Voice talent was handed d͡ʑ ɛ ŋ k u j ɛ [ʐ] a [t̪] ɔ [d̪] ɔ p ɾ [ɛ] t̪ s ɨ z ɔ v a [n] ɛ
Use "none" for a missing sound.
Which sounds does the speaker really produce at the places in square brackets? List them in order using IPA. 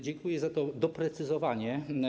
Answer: z, t̪, d̪, ɛ, ɲ

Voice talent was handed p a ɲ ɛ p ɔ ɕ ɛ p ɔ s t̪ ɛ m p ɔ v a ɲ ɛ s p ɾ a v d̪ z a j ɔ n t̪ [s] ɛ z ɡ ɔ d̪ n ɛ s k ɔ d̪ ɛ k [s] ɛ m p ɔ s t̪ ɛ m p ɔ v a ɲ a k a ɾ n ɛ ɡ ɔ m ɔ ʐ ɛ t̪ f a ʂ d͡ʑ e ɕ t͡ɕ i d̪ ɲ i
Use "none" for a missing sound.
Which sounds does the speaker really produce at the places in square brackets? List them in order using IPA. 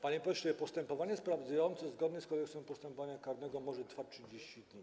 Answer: s, s

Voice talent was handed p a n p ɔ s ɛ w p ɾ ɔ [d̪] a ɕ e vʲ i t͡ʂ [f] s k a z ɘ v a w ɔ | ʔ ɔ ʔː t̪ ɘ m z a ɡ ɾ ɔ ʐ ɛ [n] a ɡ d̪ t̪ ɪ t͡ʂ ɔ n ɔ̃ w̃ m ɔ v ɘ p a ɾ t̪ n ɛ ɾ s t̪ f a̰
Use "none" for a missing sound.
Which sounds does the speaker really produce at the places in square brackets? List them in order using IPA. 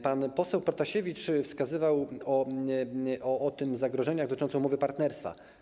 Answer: t̪, f, ɲ

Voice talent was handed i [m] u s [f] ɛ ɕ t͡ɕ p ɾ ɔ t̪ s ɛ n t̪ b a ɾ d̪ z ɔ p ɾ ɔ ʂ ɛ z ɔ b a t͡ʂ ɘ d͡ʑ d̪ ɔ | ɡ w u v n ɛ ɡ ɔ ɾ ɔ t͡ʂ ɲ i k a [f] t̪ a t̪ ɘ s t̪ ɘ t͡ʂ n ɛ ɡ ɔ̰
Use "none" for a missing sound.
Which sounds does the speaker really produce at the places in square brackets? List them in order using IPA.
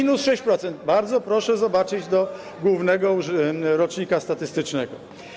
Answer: n, ʂ, s

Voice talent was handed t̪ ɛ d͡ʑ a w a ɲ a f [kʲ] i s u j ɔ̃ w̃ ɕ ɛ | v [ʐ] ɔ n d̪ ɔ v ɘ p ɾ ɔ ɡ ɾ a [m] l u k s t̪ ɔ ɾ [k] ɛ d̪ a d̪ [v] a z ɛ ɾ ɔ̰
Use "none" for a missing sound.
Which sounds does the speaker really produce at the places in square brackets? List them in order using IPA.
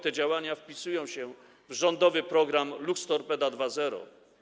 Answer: pʲ, ʐ, m, p, v

